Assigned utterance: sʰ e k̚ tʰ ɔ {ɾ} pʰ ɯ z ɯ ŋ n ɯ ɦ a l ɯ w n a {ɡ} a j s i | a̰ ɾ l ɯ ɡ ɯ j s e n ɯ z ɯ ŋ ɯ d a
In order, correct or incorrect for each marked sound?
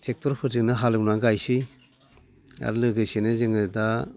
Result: correct, correct

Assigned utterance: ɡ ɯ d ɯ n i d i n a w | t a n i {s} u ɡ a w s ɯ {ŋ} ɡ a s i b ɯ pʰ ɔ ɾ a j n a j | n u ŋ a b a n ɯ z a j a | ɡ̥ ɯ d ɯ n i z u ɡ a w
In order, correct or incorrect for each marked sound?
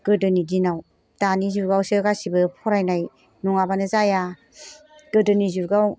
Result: incorrect: z, incorrect: none

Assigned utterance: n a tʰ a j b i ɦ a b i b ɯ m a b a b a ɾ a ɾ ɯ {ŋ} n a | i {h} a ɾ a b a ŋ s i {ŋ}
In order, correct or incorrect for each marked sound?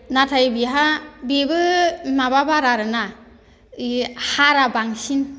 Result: incorrect: none, correct, incorrect: n

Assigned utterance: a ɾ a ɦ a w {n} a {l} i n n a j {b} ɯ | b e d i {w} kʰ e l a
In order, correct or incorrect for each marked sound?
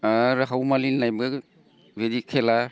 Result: incorrect: m, correct, correct, incorrect: none

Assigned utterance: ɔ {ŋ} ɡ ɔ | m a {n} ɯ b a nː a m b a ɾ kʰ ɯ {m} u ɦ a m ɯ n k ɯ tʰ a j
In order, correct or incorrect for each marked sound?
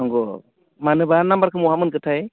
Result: correct, correct, correct

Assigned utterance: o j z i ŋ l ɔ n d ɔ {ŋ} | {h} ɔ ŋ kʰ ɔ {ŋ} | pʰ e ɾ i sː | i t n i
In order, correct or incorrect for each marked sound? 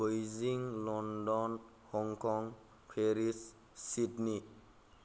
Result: incorrect: n, correct, correct

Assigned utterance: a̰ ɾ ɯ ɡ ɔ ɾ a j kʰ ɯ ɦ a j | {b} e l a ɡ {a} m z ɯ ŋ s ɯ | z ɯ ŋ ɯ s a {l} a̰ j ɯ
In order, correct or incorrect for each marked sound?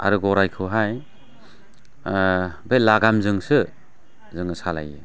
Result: correct, correct, correct

